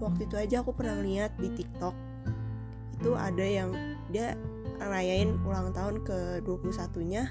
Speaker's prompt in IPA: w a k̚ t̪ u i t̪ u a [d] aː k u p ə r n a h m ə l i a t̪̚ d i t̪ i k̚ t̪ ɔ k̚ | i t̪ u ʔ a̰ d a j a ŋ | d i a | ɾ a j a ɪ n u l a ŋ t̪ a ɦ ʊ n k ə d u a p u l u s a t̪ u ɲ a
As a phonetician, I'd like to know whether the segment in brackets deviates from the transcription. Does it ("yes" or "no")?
yes